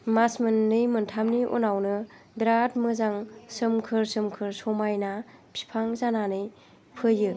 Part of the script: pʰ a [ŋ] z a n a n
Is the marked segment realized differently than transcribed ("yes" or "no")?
no